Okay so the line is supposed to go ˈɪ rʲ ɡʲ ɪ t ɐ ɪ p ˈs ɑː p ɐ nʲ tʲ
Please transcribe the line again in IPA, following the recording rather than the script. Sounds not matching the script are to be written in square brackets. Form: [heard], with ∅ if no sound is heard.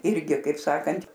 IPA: ˈɪ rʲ ɡʲ ɪ [k] ɐ ɪ p ˈs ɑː [k] ɐ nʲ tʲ